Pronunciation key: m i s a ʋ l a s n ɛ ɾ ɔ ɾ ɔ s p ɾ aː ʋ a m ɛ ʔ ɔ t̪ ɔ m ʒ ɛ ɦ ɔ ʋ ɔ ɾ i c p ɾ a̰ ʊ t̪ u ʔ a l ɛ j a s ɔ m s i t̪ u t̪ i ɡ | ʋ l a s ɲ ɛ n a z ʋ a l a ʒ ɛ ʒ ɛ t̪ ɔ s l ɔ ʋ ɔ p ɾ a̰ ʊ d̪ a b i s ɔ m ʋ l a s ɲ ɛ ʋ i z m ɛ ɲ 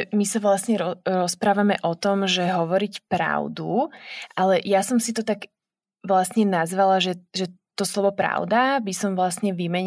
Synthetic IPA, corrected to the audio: m i s a ʋ l a s ɲ ɛ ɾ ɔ ɾ ɔ s p ɾ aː ʋ a m ɛ ʔ ɔ t̪ ɔ m ʒ ɛ ɦ ɔ ʋ ɔ ɾ i c p ɾ a̰ ʊ d̪ u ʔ a l ɛ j a s ɔ m s i t̪ ɔ t̪ a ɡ | ʋ l a s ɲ ɛ n a z ʋ a l a ʒ ɛ ʒ ɛ t̪ ɔ s l ɔ ʋ ɔ p ɾ a̰ ʊ d̪ a b i s ɔ m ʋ l a s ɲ ɛ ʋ i m ɛ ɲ